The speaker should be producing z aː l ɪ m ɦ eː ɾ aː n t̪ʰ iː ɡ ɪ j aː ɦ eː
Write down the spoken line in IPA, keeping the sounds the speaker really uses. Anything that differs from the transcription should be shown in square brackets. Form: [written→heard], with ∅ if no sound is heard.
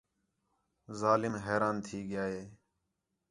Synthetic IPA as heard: z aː l ɪ m ɦ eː ɾ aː n t̪ʰ iː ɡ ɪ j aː ɦ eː